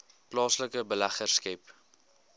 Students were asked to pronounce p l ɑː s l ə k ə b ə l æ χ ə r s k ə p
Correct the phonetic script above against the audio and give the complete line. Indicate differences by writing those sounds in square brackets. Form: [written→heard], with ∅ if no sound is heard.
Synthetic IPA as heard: p l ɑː s l ə k ə b ə l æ χ ə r s k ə p